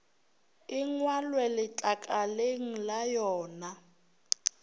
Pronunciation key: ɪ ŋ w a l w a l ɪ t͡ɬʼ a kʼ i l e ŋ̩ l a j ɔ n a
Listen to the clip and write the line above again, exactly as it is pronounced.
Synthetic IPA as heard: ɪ ŋ w a l w ɛ l ɪ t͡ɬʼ a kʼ a l e ŋ̩ l a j ɔː n a